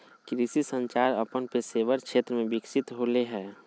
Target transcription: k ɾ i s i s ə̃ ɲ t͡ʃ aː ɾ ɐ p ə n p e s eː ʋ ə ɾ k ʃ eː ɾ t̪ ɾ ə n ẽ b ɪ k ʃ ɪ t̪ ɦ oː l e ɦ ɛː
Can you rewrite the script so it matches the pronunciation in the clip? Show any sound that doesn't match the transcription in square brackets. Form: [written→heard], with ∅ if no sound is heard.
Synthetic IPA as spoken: k ɾ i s i s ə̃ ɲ t͡ʃ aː ɾ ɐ p ə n p e s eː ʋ ə ɾ k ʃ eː [ɾ→∅] t̪ ɾ ə [n→m] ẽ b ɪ k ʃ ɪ t̪ ɦ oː l e ɦ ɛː